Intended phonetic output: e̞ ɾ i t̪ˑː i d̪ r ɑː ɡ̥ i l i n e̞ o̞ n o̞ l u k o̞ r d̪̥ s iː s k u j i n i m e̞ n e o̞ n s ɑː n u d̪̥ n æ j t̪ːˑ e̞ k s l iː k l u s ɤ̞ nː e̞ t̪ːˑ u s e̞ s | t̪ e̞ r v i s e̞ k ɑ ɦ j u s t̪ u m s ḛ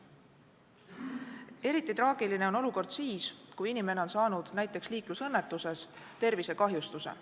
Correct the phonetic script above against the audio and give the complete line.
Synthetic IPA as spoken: e̞ ɾ i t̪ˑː i t̪ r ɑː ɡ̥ i l i n e̞ o̞ n o̞ l u k o̞ r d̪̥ s iː s k u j i n i m e̞ n e o̞ n s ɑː n u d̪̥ n æ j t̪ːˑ e̞ k s l iː k l u s ɤ̞ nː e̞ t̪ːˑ u s e̞ s | t̪ e̞ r v i s e̞ k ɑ ɦ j u s t̪ u s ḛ